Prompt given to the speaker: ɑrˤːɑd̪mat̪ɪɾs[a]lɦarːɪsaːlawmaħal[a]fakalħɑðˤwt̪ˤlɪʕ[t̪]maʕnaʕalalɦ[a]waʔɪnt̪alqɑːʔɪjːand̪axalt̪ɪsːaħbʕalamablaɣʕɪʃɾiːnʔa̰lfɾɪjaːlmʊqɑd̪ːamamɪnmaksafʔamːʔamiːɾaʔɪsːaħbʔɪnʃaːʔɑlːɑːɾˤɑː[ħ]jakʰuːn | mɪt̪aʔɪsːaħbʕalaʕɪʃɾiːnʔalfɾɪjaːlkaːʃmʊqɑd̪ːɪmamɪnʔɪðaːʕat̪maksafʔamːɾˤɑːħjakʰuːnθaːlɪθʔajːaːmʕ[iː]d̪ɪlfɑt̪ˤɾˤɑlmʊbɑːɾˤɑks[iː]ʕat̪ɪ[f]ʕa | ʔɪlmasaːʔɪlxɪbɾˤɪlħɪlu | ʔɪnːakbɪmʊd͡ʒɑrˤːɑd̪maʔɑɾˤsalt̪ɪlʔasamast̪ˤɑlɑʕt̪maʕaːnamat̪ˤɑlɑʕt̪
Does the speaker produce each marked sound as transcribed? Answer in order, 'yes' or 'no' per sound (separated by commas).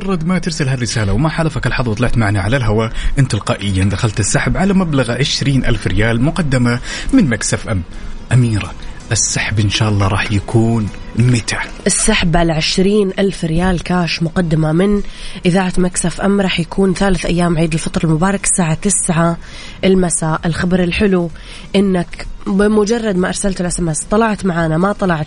yes, yes, yes, yes, yes, yes, no, no